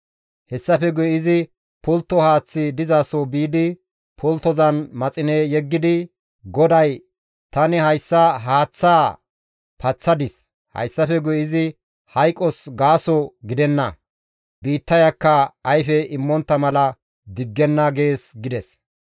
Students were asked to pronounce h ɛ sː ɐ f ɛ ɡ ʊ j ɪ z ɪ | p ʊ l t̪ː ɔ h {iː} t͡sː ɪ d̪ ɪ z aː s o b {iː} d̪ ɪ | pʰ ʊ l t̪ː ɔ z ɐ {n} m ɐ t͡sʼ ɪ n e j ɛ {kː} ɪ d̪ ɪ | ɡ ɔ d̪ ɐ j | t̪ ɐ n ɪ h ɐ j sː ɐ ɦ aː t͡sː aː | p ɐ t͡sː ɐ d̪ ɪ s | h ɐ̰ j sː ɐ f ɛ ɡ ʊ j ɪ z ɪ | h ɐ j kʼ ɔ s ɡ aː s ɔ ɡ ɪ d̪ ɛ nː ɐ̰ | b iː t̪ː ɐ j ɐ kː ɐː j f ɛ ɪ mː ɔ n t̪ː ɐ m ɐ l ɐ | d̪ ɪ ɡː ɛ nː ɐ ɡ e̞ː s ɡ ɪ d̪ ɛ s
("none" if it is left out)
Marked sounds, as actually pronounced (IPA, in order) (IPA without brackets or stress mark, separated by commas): aː, iː, n, ɡː